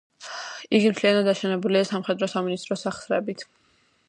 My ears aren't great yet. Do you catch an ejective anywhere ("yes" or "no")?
yes